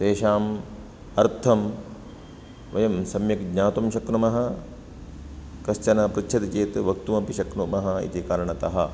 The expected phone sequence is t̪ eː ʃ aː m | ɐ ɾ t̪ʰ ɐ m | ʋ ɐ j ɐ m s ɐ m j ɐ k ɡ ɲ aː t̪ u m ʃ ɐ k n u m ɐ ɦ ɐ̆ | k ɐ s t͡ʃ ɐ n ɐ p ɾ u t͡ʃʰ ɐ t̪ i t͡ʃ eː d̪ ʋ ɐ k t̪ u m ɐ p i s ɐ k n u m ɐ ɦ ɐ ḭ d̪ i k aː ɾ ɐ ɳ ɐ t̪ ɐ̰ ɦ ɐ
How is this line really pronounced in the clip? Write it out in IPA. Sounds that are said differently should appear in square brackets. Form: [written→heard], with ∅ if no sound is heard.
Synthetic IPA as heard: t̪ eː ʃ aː m | ɐ ɾ t̪ʰ ɐ m | ʋ ɐ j ɐ m s ɐ m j ɐ k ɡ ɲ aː t̪ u m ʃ ɐ k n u m ɐ ɦ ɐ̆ | k ɐ s t͡ʃ ɐ n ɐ p ɾ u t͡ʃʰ ɐ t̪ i t͡ʃ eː [d̪→t̪] ʋ ɐ k t̪ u m ɐ p i [s→ʃ] ɐ k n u m ɐ ɦ ɐ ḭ [d̪→t̪] i k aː ɾ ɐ ɳ ɐ t̪ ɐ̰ ɦ ɐ